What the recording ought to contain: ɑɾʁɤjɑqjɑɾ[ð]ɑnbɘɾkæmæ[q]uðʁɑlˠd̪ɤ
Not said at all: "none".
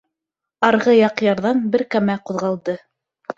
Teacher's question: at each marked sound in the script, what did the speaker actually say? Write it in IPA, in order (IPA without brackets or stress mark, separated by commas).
ð, q